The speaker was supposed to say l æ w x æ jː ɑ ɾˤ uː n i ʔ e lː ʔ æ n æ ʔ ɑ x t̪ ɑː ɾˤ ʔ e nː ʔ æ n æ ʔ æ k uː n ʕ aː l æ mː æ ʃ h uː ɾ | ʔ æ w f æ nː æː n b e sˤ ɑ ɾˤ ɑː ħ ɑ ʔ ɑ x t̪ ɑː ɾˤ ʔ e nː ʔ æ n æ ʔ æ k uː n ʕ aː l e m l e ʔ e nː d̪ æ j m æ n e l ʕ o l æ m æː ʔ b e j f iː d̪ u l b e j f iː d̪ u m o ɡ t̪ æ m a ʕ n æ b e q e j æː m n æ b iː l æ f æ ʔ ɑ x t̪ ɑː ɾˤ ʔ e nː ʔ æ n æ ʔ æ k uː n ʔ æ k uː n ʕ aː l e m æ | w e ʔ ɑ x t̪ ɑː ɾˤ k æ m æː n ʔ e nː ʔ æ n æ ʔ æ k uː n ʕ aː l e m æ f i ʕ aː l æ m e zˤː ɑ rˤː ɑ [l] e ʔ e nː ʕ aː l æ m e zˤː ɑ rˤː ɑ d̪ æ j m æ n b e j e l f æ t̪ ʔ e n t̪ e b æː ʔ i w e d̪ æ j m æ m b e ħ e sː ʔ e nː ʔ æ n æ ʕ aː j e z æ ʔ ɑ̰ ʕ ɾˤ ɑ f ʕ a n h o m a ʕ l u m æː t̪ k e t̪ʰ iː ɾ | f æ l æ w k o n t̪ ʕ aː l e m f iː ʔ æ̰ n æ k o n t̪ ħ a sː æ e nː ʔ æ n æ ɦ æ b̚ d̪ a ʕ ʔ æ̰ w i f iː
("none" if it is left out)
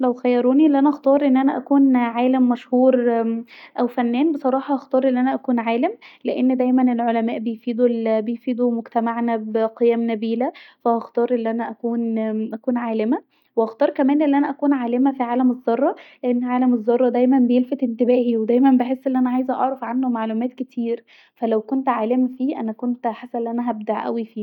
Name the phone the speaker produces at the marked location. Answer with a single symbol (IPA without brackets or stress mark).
l